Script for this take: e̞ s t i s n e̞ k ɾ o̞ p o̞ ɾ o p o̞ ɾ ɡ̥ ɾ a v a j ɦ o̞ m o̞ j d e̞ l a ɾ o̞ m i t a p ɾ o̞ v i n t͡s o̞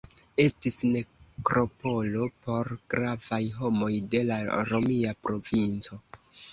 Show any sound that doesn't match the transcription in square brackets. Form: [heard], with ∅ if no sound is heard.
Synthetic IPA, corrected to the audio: e̞ s t i s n e̞ k ɾ o̞ p o̞ [l] o p o̞ ɾ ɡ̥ ɾ a v a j ɦ o̞ m o̞ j d e̞ l a ɾ o̞ m i [∅] a p ɾ o̞ v i n t͡s o̞